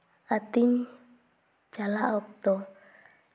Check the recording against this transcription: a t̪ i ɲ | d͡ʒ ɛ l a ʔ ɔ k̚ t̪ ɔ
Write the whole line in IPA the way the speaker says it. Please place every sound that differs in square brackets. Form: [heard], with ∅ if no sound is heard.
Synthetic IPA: a t̪ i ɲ | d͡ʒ [a] l a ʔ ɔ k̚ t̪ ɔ